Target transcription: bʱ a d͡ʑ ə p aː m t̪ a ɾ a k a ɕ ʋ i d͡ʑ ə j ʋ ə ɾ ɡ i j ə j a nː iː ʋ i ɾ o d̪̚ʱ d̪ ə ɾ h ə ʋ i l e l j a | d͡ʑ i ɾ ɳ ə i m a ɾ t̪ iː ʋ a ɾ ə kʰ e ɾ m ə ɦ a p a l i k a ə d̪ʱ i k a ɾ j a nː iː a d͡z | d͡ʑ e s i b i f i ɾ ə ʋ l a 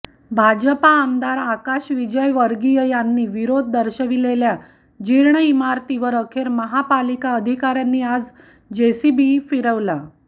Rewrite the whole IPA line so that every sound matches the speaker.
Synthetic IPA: bʱ a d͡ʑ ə p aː m d̪ a ɾ a k a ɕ ʋ i d͡ʑ ə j ʋ ə ɾ ɡ i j ə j a nː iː ʋ i ɾ o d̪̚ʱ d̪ ə ɾ ɕ ə ʋ i l e l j a | d͡ʑ i ɾ ɳ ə i m a ɾ t̪ i ʋ ə ɾ ə kʰ e ɾ m ə ɦ a p a l i k a ə d̪ʱ i k a ɾ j a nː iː a d͡z | d͡ʑ e s i b i f i ɾ ə ʋ l a

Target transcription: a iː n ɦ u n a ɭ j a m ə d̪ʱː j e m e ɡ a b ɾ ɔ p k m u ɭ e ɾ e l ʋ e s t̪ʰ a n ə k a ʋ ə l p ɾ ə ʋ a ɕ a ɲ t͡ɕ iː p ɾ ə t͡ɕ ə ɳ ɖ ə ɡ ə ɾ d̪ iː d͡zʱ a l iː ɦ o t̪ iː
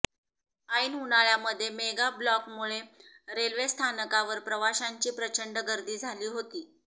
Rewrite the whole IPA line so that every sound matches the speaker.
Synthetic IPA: a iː n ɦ u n a ɭ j a m ə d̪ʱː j e m e ɡ a b l ɔ k m u ɭ e ɾ e l ʋ e s t̪ʰ a n ə k a ʋ ə ɾ p ɾ ə ʋ a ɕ a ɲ t͡ɕ iː p ɾ ə t͡ɕ ə ɳ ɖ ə ɡ ə ɾ d̪ iː d͡zʱ a l iː ɦ o t̪ iː

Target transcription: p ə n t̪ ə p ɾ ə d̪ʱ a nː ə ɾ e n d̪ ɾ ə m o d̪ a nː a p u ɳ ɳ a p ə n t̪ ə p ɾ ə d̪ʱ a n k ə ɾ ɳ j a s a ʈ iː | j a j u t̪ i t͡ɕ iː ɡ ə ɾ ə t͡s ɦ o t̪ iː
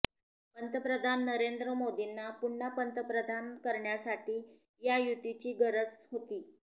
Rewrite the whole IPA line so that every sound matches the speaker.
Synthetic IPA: p ə n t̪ ə p ɾ ə d̪ʱ a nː ə ɾ e n d̪ ɾ ə m o d̪ i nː a p u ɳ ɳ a p ə n t̪ ə p ɾ ə d̪ʱ a n k ə ɾ ɳ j a s a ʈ iː | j a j u t̪ i t͡ɕ iː ɡ ə ɾ ə t͡s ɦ o t̪ iː

